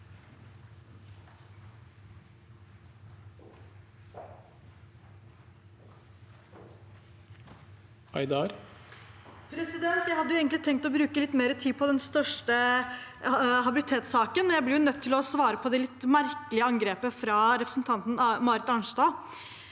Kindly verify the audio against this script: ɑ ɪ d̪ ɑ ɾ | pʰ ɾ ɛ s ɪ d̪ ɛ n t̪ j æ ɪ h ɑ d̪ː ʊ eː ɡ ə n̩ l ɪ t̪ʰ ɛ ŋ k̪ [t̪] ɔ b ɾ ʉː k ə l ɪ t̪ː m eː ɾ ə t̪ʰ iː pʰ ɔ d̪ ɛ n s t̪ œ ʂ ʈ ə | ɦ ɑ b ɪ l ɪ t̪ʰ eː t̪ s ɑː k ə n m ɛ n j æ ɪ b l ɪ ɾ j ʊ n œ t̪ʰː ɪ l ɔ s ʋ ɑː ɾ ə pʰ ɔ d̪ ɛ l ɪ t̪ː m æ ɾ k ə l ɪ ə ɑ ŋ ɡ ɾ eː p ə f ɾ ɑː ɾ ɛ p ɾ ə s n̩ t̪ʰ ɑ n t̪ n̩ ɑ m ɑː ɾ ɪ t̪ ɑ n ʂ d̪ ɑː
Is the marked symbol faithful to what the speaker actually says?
yes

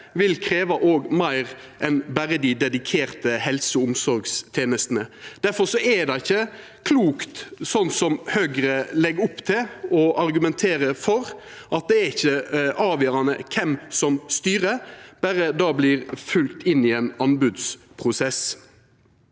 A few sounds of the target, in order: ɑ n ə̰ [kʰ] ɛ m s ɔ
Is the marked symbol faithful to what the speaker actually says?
yes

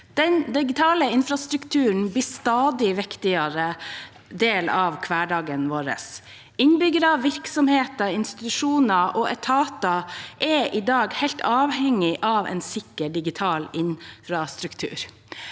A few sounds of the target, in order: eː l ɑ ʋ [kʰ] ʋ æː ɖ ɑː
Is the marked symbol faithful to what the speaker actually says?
yes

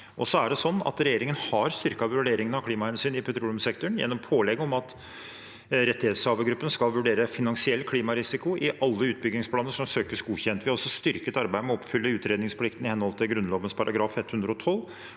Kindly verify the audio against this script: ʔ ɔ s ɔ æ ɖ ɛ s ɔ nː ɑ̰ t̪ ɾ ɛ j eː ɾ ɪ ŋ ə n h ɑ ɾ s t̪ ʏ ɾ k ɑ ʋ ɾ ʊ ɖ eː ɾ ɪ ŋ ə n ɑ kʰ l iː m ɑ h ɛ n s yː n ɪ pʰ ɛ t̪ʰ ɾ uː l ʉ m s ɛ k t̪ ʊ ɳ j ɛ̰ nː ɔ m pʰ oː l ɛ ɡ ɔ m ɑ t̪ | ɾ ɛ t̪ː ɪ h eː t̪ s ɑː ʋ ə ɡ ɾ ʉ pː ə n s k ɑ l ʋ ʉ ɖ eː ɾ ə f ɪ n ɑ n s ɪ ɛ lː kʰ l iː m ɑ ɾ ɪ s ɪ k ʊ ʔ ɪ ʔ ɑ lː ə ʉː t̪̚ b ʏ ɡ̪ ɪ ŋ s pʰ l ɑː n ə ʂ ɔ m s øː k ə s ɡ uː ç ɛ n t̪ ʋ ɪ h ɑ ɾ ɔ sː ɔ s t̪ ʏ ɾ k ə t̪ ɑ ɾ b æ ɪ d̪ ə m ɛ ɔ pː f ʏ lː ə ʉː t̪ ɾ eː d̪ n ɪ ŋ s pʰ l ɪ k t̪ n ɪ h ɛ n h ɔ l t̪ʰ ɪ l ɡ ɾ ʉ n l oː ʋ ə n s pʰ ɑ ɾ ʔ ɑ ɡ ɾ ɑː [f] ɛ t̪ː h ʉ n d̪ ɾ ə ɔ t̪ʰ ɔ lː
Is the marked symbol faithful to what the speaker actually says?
yes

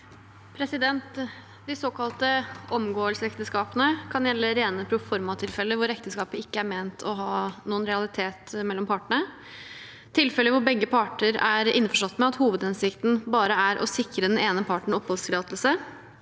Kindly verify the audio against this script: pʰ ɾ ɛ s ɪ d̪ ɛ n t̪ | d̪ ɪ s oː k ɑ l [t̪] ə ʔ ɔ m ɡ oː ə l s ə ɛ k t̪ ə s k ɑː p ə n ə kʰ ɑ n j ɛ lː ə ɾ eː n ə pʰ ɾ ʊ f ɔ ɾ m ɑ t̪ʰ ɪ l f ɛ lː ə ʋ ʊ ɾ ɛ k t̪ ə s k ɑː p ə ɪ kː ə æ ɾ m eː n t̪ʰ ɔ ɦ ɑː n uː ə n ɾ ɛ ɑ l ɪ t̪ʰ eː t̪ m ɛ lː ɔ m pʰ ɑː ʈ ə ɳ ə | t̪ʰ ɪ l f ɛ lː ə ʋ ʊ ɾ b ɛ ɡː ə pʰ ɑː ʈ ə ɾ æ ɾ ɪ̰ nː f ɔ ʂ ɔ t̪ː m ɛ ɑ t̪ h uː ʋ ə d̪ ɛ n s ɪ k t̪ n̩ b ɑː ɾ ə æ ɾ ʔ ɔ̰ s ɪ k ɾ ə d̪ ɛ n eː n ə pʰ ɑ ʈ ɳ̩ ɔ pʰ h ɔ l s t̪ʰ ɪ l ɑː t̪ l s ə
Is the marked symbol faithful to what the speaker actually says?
yes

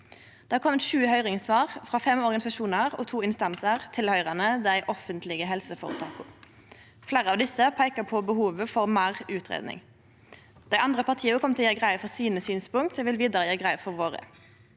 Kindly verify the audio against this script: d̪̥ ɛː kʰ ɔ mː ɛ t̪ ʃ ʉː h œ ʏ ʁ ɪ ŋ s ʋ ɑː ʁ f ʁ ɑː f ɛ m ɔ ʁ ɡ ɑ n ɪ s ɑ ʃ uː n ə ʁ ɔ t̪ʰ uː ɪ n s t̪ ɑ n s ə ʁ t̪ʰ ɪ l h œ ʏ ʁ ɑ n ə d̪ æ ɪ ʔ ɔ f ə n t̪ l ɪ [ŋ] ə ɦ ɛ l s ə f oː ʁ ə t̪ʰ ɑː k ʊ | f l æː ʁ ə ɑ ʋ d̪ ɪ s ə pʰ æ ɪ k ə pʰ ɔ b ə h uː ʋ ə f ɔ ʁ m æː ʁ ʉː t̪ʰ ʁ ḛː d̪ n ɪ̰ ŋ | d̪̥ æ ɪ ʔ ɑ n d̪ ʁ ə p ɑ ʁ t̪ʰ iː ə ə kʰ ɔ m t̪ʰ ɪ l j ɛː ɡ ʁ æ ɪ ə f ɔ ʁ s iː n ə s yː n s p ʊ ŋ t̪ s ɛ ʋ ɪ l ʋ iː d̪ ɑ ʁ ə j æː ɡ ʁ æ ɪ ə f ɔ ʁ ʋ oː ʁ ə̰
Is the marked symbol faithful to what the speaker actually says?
no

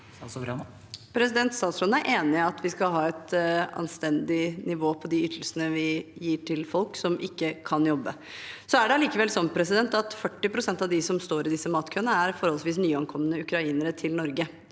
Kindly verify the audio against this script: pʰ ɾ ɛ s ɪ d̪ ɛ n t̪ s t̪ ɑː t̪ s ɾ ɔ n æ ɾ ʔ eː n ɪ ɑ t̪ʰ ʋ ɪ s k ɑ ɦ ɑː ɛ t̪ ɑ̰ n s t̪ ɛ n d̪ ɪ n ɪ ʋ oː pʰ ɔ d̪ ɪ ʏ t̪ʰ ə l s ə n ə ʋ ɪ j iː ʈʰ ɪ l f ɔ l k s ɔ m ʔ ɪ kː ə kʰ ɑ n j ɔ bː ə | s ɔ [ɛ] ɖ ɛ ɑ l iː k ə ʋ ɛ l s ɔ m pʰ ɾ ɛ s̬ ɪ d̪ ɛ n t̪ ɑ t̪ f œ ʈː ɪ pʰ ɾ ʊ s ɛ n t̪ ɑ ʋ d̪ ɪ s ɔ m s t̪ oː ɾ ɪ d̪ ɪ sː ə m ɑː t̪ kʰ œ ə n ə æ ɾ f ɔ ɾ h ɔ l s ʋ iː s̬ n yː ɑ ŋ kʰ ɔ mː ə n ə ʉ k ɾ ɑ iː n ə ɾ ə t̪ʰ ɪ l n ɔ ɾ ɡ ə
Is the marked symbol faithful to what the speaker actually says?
no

